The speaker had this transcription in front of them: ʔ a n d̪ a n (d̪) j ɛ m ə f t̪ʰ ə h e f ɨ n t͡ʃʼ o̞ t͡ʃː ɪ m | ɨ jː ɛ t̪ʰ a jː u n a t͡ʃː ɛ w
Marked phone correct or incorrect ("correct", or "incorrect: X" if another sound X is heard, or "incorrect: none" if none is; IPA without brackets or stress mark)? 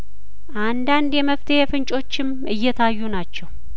correct